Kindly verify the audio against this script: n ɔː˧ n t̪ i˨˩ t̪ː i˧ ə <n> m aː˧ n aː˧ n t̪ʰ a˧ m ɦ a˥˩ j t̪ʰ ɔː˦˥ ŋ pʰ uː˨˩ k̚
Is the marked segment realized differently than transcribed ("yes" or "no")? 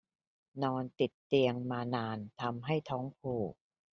yes